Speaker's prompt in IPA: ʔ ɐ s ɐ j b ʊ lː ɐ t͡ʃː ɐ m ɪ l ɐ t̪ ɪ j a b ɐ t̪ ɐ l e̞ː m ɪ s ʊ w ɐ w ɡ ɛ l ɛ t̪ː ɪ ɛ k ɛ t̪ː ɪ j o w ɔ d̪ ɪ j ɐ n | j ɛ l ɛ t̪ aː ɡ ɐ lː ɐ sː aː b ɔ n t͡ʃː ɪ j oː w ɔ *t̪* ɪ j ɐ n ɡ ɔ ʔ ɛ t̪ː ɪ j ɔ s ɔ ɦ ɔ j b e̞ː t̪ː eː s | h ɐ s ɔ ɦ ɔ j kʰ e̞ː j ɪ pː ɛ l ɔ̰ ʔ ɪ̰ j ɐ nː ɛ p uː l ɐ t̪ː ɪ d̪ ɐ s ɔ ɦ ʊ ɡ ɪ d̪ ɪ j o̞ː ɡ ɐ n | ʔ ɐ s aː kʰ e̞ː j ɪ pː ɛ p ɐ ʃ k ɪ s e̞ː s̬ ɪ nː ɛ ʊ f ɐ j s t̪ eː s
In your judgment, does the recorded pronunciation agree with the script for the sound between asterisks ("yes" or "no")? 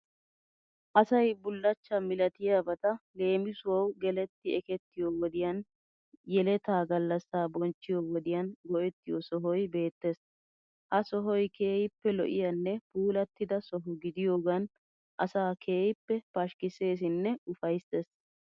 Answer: no